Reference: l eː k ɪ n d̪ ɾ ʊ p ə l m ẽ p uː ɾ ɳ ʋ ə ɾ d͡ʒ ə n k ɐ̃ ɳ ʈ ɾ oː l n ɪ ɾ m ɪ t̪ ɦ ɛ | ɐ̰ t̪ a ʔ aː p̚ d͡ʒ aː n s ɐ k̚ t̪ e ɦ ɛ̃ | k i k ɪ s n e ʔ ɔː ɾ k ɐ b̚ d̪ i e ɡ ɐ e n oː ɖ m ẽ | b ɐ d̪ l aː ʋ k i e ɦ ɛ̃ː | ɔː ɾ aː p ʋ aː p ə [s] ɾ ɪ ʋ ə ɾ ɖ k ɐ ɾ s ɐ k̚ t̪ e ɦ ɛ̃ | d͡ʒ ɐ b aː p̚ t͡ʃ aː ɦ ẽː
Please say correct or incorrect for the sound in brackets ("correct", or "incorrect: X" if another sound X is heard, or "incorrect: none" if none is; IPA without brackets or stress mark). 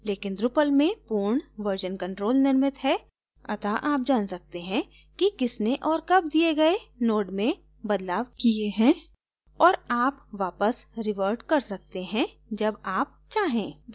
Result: correct